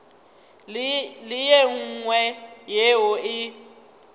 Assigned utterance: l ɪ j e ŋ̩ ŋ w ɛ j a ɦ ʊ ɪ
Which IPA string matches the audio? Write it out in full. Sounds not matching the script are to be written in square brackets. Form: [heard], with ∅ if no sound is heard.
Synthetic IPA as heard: l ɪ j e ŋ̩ ŋ w ɛ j [e] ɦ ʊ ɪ